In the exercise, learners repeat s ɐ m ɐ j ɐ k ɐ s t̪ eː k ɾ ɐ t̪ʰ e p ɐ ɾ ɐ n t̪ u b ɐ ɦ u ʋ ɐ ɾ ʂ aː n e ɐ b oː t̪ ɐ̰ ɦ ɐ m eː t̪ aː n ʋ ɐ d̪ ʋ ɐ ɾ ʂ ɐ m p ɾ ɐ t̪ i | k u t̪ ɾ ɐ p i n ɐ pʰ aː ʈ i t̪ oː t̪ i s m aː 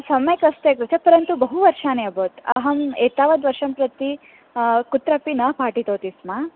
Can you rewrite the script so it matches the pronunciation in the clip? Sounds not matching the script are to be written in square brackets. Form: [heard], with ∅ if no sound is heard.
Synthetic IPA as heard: s ɐ m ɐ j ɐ k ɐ s t̪ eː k ɾ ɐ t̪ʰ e p ɐ ɾ ɐ n t̪ u b ɐ ɦ u ʋ ɐ ɾ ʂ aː n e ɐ b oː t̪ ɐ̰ ɦ ɐ m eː t̪ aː [∅] ʋ ɐ d̪ ʋ ɐ ɾ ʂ ɐ m p ɾ ɐ t̪ i | k u t̪ ɾ ɐ p i n ɐ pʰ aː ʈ i t̪ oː t̪ i s m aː